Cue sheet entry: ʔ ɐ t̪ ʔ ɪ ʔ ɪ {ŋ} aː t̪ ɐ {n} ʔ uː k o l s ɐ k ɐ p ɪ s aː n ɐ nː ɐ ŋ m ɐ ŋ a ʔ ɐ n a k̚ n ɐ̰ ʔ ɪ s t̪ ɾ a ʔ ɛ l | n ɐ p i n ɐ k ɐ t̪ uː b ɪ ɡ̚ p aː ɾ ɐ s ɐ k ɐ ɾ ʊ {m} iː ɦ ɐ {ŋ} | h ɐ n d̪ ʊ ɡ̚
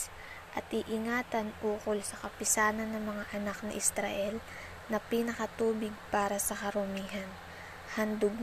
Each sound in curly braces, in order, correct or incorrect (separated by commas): correct, correct, correct, incorrect